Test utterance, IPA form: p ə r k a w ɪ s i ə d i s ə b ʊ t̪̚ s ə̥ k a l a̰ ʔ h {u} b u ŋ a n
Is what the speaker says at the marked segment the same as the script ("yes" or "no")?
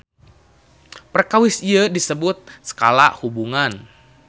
yes